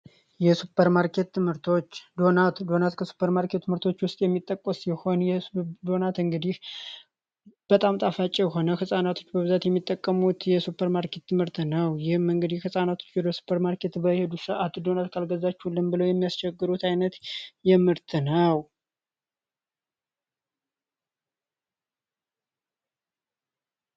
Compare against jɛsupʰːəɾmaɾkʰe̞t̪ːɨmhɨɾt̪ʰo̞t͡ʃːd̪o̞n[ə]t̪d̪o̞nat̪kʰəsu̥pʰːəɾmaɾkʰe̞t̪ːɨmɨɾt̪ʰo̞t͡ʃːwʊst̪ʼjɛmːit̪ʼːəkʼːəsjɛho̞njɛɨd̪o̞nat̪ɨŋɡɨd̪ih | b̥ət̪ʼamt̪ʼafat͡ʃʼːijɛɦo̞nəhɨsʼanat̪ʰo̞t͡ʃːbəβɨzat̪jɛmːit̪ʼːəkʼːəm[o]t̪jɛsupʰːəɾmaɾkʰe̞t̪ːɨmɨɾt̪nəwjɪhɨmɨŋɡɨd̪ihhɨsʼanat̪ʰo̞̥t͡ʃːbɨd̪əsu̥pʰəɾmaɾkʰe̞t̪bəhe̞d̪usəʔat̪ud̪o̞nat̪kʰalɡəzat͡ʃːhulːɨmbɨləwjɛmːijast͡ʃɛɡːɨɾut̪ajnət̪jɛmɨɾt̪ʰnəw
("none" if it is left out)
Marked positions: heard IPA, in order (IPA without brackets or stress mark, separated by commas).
a, u